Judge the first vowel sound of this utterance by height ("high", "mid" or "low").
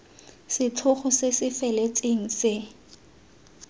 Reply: high